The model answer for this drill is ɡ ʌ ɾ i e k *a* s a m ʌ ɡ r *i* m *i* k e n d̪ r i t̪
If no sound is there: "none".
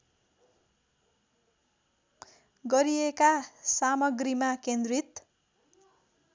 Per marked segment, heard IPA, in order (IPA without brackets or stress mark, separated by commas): a, i, a